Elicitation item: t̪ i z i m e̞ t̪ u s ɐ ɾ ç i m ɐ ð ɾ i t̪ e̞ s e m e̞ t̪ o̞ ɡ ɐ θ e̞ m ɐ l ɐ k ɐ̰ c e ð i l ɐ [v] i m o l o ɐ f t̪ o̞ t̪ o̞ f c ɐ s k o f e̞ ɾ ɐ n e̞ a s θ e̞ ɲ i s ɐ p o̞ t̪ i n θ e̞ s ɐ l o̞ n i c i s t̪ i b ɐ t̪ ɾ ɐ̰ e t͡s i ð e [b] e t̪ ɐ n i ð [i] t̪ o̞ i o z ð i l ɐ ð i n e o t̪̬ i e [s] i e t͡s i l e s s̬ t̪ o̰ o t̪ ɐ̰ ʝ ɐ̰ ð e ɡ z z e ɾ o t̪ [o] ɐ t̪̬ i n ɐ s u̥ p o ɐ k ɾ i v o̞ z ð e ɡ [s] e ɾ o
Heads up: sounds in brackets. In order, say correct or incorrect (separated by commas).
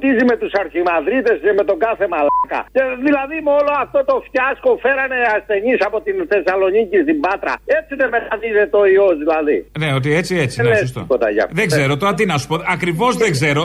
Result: incorrect, incorrect, incorrect, incorrect, correct, incorrect